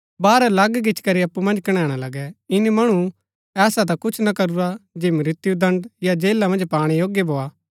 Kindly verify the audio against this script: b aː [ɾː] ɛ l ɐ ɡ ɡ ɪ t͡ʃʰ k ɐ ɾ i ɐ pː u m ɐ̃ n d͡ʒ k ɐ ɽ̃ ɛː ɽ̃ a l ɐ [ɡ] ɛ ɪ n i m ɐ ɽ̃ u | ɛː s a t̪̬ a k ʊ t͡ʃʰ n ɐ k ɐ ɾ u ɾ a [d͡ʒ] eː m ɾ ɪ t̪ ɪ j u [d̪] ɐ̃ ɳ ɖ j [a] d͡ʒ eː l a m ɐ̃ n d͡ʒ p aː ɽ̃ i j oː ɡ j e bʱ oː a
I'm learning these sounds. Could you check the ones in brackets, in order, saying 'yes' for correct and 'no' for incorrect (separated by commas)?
no, yes, yes, yes, yes